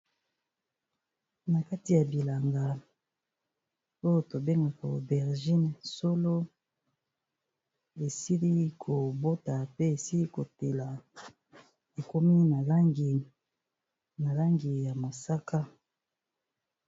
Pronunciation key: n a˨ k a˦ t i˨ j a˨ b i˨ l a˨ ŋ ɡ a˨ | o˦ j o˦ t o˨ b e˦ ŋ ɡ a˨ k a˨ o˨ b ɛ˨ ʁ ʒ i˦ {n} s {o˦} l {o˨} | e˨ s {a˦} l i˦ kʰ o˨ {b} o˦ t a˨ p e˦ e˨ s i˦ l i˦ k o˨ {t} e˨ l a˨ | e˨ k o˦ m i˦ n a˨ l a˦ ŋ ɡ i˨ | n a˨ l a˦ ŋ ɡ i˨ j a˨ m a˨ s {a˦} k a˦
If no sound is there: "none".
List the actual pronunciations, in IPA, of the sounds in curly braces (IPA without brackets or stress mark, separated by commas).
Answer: n, o˦, o˦, i˦, b, t, a˦